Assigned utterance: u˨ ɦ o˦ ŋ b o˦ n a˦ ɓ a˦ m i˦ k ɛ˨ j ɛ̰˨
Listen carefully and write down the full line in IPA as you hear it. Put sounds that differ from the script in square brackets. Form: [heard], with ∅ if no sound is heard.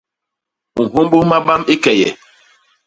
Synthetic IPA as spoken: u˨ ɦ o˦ [m] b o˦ [m] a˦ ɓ a˦ m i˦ k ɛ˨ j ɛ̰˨